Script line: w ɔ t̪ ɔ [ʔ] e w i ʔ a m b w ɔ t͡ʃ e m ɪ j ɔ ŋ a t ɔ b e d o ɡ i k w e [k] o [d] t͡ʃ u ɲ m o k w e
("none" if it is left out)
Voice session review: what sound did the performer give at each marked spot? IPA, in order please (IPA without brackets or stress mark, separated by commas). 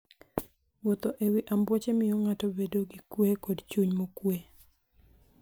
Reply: ʔ, k, d